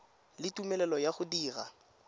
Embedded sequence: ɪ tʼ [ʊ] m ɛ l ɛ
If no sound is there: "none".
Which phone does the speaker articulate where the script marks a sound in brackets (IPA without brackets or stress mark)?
u